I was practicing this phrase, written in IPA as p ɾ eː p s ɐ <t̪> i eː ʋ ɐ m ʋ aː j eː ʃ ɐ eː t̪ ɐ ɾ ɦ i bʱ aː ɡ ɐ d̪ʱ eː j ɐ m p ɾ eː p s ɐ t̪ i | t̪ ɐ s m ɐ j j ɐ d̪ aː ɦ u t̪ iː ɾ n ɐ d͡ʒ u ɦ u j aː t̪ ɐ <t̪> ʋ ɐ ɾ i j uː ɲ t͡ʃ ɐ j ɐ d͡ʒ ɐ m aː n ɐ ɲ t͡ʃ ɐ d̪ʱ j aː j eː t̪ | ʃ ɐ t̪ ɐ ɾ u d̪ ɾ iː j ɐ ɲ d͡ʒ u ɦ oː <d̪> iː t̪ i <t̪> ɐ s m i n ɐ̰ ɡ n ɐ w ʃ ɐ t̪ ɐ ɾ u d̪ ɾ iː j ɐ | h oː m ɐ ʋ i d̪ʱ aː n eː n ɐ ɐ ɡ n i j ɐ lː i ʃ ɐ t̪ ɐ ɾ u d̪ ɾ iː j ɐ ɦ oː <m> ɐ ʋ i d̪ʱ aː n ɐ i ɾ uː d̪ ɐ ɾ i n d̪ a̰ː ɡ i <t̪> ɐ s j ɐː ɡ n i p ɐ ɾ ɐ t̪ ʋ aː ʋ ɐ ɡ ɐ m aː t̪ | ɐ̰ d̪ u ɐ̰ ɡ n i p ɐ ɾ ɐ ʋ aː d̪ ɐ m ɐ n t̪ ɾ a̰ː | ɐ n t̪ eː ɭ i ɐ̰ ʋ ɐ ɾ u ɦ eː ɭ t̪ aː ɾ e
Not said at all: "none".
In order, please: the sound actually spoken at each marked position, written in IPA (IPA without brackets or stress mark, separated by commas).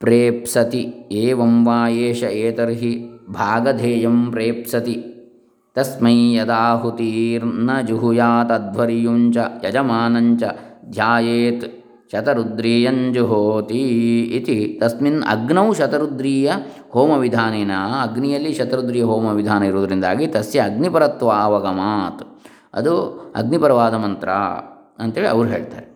t̪, d̪, t̪, t̪, m, t̪